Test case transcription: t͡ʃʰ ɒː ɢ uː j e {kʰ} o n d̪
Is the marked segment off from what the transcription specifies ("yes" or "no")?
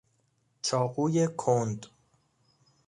no